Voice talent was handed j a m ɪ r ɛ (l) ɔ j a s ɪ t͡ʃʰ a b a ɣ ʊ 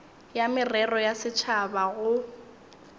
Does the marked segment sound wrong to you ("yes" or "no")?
yes